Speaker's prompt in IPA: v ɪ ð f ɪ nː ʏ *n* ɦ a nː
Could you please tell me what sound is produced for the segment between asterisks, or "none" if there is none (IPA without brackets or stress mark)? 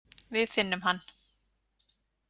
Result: m